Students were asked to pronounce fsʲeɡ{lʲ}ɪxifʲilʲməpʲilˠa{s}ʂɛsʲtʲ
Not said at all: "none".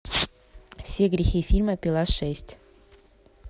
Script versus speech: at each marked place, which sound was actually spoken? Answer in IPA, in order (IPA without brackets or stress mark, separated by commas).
ɾʲ, s